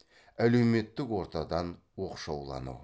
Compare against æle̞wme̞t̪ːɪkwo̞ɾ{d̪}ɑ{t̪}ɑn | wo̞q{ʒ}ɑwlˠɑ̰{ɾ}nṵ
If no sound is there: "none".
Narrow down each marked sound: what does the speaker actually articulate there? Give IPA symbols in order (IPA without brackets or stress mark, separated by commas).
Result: t̪, d̪, ʃ, none